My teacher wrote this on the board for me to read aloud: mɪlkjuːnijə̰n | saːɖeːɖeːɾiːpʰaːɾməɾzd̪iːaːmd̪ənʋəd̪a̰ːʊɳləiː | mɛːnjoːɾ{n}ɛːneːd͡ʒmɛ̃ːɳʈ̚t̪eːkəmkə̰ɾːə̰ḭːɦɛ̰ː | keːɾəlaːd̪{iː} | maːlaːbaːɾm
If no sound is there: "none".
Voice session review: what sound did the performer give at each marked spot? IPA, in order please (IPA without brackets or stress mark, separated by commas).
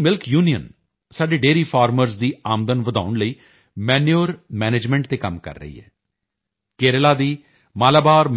m, iː